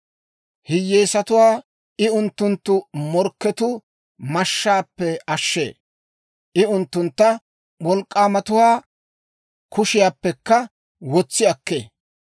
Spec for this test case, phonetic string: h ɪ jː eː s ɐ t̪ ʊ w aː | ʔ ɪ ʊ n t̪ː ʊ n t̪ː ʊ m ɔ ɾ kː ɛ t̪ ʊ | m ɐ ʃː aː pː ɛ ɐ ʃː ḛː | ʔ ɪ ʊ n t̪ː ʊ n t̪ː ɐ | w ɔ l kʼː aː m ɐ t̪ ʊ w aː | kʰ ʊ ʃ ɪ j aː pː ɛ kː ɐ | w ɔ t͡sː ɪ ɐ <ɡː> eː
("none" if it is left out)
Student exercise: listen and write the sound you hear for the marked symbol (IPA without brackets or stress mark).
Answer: kː